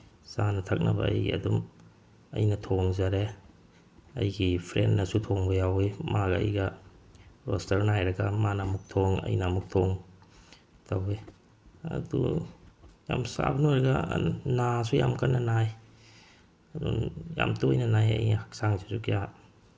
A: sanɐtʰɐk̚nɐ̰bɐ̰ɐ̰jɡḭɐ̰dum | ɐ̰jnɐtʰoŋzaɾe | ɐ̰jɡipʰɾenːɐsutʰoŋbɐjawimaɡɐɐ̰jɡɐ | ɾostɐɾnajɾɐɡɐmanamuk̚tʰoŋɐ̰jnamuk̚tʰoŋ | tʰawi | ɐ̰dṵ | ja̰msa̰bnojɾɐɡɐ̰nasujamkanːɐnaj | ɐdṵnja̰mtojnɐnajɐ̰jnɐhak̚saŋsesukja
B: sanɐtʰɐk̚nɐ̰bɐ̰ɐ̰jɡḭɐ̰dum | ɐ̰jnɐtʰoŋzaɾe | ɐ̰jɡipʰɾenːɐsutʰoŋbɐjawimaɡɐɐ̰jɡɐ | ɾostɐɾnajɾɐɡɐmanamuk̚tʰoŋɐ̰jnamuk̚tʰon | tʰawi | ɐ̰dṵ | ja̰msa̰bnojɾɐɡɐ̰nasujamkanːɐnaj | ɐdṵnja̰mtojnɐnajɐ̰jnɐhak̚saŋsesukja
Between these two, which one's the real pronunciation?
A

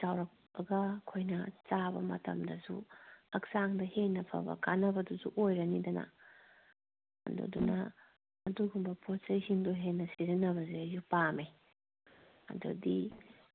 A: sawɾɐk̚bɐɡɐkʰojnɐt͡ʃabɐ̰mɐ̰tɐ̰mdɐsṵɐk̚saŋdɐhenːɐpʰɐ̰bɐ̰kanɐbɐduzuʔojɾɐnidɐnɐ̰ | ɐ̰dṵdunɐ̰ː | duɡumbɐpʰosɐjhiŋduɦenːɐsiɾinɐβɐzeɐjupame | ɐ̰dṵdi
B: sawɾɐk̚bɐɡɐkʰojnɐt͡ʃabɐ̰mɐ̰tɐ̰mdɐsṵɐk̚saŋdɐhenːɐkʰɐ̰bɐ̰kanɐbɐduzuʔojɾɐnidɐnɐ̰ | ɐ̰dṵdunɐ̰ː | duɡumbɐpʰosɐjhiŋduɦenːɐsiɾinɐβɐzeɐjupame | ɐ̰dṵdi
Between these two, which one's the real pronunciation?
A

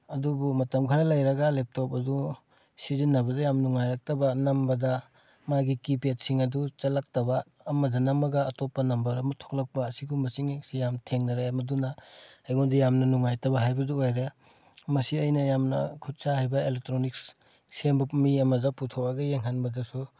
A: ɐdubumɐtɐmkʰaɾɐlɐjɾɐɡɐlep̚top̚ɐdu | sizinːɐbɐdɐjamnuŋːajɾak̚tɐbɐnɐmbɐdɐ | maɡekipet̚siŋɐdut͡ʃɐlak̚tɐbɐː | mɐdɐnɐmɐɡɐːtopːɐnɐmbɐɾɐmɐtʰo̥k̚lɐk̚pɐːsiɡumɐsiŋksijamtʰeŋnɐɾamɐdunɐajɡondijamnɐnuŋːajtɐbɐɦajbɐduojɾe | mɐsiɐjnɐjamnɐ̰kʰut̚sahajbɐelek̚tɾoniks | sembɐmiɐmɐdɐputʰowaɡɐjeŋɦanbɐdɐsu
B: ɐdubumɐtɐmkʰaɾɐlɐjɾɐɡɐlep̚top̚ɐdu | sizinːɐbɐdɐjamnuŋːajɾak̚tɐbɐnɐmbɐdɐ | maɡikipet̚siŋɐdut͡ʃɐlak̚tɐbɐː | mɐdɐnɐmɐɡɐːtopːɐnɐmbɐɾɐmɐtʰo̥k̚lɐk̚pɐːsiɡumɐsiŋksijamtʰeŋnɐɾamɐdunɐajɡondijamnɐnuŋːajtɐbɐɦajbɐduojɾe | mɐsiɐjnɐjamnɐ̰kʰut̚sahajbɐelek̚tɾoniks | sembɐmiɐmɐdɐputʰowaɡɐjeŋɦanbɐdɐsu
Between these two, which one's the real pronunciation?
B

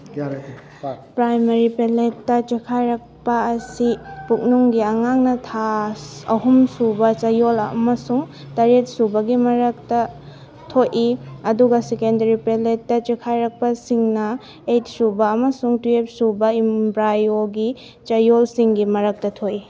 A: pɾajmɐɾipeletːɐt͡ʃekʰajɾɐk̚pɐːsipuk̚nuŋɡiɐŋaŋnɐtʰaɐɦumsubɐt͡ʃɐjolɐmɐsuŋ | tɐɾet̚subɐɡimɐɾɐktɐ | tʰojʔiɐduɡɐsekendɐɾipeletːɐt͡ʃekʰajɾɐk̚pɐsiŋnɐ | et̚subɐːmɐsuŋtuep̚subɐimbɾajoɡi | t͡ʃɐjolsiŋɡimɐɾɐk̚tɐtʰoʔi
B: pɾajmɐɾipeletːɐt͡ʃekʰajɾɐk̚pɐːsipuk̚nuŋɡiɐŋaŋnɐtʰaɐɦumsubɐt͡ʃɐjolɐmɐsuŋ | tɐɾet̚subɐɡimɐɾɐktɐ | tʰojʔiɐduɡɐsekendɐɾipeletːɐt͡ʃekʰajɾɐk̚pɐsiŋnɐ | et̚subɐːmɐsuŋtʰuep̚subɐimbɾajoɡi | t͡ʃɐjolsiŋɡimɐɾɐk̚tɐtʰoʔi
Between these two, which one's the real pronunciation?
A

